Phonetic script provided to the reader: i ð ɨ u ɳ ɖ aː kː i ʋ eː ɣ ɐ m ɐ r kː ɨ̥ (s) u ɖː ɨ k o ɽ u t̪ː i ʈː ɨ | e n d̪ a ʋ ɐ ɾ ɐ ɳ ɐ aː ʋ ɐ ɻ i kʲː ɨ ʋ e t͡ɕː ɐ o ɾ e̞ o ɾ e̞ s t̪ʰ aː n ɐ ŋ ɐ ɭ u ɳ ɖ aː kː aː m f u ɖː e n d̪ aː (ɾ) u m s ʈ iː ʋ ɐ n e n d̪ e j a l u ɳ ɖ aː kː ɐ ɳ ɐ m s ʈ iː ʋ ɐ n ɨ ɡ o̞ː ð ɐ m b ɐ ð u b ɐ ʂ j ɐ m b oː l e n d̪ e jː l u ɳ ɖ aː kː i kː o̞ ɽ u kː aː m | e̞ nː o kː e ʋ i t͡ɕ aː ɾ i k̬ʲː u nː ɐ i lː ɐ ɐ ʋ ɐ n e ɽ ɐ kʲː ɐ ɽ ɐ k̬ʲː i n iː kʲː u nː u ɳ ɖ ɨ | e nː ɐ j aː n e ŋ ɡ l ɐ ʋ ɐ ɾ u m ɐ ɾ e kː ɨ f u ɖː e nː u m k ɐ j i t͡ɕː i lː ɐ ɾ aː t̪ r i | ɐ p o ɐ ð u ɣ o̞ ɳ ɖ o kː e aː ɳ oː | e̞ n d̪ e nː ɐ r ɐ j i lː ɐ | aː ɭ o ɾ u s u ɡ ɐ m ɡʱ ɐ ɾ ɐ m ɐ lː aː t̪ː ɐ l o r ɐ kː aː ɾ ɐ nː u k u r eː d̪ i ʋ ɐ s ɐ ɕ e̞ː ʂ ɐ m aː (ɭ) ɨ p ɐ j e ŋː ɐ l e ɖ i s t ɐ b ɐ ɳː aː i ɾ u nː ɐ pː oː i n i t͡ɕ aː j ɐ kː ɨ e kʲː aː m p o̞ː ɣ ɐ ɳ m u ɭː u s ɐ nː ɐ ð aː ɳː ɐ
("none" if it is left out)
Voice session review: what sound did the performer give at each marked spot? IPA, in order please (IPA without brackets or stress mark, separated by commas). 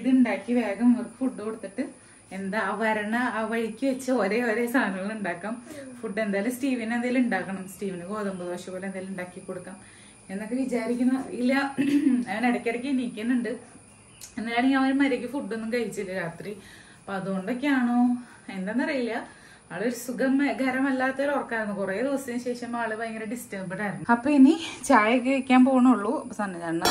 f, l, ɭ